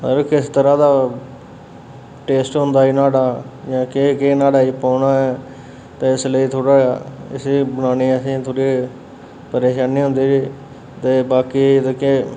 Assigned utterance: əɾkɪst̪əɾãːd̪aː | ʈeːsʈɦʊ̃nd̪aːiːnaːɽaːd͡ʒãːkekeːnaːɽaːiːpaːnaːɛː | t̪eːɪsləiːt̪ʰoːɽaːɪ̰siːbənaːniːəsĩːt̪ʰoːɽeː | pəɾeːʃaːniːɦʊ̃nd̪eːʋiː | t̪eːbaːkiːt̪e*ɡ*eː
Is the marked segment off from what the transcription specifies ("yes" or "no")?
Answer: yes